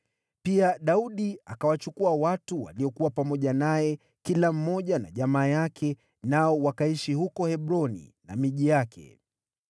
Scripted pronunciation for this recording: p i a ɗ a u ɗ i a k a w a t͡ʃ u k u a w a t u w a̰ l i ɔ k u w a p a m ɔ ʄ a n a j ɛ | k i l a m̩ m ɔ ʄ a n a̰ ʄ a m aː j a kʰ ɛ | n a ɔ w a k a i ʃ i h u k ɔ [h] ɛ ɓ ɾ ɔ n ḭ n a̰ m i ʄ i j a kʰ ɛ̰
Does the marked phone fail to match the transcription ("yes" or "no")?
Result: no